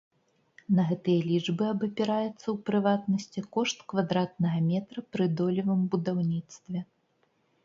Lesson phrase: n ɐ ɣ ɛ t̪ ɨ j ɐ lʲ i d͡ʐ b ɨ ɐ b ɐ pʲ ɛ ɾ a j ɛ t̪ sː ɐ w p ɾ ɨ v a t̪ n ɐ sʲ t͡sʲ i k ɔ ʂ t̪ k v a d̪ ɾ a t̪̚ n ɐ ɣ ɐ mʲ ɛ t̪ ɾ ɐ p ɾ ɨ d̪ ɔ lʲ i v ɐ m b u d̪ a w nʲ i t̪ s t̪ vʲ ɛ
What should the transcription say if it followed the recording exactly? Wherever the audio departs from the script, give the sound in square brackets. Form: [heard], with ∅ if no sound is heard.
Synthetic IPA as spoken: n ɐ ɣ ɛ t̪ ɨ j ɐ lʲ i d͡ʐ b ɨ ɐ b ɐ pʲ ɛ ɾ a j ɛ t̪ sː ɐ w p ɾ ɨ v a t̪ n ɐ sʲ t͡sʲ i k ɔ ʂ t̪ k v a d̪ ɾ a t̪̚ n ɐ ɣ ɐ mʲ ɛ t̪ ɾ ɐ p ɾ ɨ d̪ ɔ lʲ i v ɐ m b u d̪ a w nʲ i t̪ s t̪ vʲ ɛ